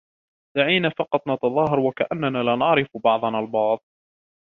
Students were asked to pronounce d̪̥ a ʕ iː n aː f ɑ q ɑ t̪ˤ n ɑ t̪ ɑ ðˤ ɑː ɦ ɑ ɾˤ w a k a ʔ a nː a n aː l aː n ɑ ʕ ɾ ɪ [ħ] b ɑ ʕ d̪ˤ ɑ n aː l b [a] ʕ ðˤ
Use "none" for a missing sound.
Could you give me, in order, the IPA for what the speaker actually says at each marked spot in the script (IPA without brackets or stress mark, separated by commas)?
f, ɑ